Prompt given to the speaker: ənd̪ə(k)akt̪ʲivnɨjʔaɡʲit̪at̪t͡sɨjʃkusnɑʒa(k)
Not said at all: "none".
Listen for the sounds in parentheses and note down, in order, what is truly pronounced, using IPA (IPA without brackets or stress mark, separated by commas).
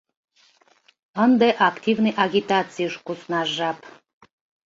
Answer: ʔ, p